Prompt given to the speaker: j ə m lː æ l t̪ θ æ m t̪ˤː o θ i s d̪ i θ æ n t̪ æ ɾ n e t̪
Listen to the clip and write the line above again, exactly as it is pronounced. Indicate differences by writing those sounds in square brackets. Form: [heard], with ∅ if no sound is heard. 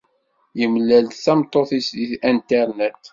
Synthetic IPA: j ə m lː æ l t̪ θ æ m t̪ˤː o θ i s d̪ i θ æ n t̪ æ ɾ n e t̪